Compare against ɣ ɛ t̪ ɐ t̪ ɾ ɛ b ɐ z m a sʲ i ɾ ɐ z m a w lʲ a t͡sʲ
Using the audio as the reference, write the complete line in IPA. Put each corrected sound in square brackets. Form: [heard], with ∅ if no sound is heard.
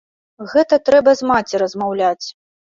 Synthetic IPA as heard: ɣ ɛ t̪ ɐ t̪ ɾ ɛ b ɐ z m a [t͡sʲ] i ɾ ɐ z m a w lʲ a t͡sʲ